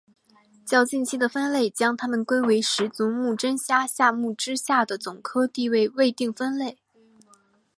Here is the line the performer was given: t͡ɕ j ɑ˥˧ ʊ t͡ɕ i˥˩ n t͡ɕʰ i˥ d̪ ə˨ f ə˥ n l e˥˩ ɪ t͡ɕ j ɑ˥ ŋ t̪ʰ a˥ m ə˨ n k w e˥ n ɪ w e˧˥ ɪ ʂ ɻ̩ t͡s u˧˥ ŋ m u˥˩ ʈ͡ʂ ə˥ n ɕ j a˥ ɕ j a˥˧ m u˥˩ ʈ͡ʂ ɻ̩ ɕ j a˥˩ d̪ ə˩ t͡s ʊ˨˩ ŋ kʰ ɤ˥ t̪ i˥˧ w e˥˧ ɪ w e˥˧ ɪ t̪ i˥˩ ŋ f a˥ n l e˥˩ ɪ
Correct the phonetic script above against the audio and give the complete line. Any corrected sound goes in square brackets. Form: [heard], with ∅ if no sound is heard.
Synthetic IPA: t͡ɕ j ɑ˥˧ ʊ t͡ɕ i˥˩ n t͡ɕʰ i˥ d̪ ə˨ f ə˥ n l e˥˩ ɪ t͡ɕ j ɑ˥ ŋ t̪ʰ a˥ m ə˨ n k w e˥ [∅] ɪ w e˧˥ ɪ ʂ ɻ̩ t͡s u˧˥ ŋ m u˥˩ ʈ͡ʂ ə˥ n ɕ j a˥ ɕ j a˥˧ m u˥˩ ʈ͡ʂ ɻ̩ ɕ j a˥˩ d̪ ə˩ t͡s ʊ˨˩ ŋ kʰ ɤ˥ t̪ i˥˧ w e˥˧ ɪ w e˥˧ ɪ t̪ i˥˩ ŋ f [ə˥] n l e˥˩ ɪ